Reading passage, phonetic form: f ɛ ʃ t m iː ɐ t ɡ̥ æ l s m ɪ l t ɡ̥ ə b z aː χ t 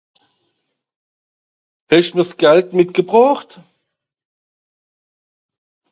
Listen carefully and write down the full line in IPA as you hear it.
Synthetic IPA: h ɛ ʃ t m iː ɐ s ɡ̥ ɛ l t m ɪ t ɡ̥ ə b ʁ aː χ t